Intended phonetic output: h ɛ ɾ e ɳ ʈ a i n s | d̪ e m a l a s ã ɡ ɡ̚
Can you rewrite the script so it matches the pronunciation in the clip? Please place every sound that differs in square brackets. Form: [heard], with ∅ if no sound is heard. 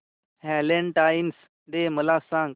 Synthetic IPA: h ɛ [l] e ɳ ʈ a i n s | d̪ e m [ə] l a s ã [ŋ] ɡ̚

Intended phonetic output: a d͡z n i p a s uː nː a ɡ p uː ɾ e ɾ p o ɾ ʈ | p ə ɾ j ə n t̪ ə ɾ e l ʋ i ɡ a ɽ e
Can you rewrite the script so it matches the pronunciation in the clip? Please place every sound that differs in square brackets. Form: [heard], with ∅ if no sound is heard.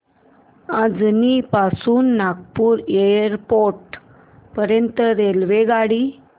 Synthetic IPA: a d͡z n i p a s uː nː a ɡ p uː ɾ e ɾ p o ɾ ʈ | p ə ɾ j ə n t̪ ə ɾ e l ʋ [e] ɡ a ɽ [i]

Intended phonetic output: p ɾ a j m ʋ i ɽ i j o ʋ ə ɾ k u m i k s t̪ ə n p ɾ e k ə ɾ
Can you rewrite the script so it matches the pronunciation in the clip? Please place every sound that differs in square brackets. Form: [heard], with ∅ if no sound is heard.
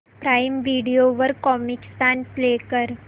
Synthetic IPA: p ɾ a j m ʋ i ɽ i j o ʋ ə ɾ k [ɔ] m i k s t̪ [a] n p [l] e k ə ɾ

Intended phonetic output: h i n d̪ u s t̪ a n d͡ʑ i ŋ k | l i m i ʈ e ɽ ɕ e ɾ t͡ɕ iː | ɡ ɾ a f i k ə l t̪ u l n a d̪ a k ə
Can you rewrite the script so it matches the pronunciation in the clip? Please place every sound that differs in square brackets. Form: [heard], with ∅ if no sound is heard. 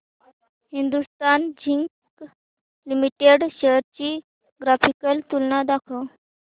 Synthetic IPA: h i n d̪ u s t̪ a n d͡ʑ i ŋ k | l i m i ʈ e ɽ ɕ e ɾ t͡ɕ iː | ɡ ɾ a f i k ə l t̪ u l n a d̪ a [kʰ] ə

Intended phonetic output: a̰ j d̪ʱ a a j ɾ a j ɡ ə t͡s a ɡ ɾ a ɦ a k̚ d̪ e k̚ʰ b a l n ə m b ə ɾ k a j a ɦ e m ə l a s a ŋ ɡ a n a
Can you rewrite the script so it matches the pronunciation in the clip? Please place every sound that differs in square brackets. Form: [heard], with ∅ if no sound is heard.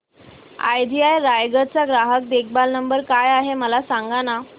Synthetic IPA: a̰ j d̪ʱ [i] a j ɾ a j ɡ ə t͡s a ɡ ɾ a ɦ [ə] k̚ d̪ e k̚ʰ b a l n ə m b ə ɾ k a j a ɦ e m ə l a s a ŋ ɡ a n a

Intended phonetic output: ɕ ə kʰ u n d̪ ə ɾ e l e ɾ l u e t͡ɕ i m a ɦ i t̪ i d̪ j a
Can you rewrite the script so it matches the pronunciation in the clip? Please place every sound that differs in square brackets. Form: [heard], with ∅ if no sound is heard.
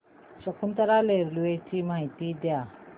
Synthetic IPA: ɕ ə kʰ u n [t̪] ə ɾ [a] l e ɾ l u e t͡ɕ i m a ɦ i t̪ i d̪ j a

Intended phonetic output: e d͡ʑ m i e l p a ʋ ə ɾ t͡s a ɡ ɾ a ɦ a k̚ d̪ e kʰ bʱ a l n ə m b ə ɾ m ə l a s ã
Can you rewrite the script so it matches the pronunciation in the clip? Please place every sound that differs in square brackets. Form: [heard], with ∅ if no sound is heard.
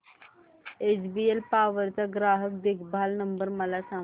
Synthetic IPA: e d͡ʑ [b] i e l p a ʋ ə ɾ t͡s a ɡ ɾ a ɦ [ə] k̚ d̪ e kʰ bʱ a l n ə m b ə ɾ m ə l a s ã

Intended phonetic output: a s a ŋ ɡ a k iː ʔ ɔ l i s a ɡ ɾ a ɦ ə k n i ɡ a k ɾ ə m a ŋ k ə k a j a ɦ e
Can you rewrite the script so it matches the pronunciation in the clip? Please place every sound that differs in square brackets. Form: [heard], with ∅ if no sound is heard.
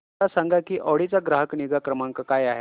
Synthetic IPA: a s a ŋ ɡ a k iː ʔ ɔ [ɽ] i [t͡s] a ɡ ɾ a ɦ ə k n i ɡ a k ɾ ə m a ŋ k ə k a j a ɦ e

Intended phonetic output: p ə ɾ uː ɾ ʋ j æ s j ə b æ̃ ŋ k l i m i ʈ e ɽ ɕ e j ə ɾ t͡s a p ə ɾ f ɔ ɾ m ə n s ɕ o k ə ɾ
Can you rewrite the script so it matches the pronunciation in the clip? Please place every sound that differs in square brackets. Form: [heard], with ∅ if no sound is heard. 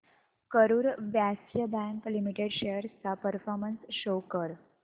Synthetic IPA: [k] ə ɾ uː ɾ ʋ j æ s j ə b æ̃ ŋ k l i m i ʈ e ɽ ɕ e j ə ɾ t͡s a p ə ɾ f ɔ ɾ m ə n s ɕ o k ə ɾ

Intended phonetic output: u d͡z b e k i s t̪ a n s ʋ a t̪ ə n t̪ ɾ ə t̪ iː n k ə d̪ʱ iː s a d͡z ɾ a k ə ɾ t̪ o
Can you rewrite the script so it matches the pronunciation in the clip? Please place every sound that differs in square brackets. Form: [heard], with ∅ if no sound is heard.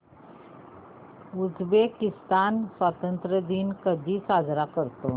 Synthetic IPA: u d͡z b e k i s t̪ a n s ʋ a t̪ ə n t̪ ɾ ə [d̪] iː n k ə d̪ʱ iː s a d͡z ɾ a k ə ɾ t̪ o

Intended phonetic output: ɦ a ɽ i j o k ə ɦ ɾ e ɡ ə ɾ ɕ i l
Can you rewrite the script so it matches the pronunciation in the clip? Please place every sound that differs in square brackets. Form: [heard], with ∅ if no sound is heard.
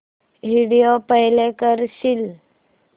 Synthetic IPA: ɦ [i] ɽ i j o [p] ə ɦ [l] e [k] ə ɾ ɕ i l

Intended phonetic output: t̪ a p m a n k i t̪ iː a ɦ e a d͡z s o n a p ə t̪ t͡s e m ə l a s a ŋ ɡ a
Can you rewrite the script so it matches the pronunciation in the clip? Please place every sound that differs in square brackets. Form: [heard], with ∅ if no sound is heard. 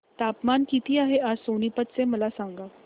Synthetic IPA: t̪ a p m a n k i t̪ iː a ɦ e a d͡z s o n [i] p ə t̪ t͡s e m ə l a s a ŋ ɡ a

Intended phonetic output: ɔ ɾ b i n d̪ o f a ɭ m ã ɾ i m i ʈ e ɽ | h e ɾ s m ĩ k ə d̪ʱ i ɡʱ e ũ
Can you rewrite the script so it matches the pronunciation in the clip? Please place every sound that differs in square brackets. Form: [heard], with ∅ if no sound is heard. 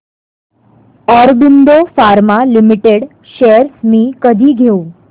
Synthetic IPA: ɔ ɾ b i n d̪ o f a [ɾ] m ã [l] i m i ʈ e ɽ | [ʃ] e ɾ s m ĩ k ə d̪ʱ i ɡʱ e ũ

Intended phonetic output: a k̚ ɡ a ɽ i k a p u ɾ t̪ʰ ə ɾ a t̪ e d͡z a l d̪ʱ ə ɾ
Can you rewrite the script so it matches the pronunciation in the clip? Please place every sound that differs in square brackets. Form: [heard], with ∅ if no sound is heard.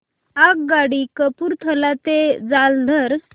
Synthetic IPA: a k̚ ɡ a ɽ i k [ə] p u ɾ t̪ʰ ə [l] a t̪ e d͡z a l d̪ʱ ə ɾ

